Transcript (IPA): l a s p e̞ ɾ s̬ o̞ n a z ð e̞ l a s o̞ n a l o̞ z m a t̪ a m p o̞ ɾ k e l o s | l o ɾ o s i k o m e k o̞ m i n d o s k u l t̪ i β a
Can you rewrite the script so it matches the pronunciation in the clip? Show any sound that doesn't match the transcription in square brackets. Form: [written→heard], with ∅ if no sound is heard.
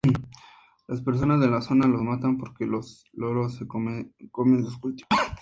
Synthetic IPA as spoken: l a s p e̞ ɾ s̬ o̞ n a z ð e̞ l a s o̞ n a l o̞ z m a t̪ a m p o̞ ɾ k e l o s | l o ɾ o s [i→e] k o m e k o̞ m [i→e] n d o s k u l t̪ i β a